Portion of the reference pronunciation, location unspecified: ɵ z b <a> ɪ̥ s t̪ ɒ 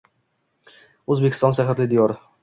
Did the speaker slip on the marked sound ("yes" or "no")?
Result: yes